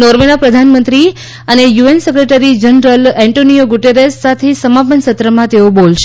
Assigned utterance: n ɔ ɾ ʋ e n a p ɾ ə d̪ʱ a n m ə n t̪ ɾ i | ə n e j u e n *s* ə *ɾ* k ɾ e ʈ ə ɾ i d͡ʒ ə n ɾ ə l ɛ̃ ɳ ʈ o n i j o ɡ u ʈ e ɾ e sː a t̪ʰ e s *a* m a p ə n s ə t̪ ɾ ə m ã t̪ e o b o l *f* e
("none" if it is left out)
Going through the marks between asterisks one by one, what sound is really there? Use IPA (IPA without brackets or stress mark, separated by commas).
s, none, ə, ʃ